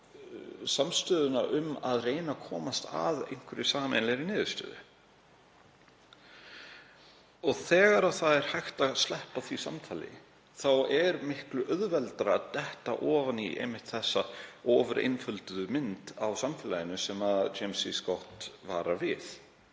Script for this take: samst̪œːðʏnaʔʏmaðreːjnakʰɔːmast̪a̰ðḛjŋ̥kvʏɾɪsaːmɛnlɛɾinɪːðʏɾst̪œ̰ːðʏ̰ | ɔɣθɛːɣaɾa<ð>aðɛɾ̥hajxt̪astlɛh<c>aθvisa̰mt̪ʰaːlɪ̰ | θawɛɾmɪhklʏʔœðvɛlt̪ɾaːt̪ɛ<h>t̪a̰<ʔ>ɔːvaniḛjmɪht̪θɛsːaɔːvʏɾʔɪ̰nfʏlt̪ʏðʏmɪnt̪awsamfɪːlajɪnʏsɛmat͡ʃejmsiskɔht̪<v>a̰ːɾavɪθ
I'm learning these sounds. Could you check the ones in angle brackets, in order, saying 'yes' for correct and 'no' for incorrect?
no, no, yes, yes, yes

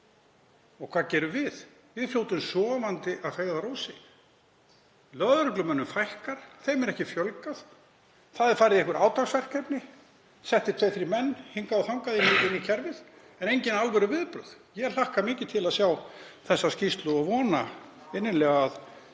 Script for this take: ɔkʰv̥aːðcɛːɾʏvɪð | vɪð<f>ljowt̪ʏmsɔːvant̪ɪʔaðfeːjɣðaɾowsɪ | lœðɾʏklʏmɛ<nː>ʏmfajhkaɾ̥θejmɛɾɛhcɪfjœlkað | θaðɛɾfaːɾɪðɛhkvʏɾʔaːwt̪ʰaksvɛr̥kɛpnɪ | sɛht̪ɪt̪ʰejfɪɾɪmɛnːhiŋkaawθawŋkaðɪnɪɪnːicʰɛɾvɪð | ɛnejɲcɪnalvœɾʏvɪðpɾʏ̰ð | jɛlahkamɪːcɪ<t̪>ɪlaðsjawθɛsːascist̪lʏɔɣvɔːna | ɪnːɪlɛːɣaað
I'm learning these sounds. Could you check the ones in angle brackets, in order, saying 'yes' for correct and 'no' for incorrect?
yes, yes, no

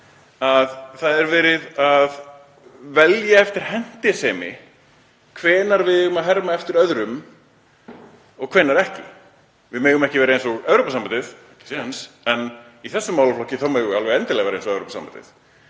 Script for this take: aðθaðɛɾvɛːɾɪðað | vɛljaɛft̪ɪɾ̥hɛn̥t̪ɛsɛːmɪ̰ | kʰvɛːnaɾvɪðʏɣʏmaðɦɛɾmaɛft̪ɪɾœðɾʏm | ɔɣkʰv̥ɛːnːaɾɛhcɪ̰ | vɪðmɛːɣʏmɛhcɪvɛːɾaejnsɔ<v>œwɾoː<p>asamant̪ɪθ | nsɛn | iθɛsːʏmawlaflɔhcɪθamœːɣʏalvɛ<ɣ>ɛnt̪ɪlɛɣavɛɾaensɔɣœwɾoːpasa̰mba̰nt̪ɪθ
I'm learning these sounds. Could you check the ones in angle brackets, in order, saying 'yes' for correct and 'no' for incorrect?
no, yes, yes

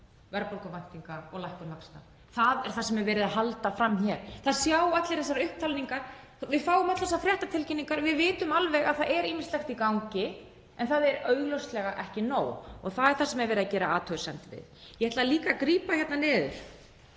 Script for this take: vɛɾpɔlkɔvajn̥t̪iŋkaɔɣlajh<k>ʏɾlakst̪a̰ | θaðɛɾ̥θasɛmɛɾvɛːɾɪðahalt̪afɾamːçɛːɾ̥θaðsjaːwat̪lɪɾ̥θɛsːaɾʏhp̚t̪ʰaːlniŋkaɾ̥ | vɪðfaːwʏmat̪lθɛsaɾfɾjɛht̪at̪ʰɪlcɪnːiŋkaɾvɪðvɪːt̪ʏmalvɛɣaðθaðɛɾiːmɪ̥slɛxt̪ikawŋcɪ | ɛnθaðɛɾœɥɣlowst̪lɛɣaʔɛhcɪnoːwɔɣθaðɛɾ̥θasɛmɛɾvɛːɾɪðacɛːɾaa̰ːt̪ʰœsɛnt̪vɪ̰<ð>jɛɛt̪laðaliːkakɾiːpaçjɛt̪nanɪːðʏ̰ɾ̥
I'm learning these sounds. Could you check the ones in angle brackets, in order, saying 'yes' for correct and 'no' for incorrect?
yes, yes

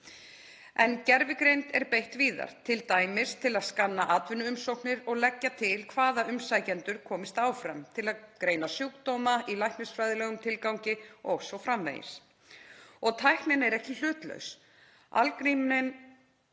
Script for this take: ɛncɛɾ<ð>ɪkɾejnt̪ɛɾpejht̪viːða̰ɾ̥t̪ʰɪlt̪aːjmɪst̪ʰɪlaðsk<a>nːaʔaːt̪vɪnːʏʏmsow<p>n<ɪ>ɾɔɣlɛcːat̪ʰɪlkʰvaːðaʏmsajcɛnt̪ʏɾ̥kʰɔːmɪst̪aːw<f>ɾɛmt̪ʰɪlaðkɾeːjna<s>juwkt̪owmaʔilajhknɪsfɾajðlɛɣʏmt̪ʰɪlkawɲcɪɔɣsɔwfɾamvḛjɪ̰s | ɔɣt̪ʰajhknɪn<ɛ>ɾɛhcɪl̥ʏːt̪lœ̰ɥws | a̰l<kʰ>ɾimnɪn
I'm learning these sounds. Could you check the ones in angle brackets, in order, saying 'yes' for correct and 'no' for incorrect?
no, yes, no, yes, yes, yes, yes, no

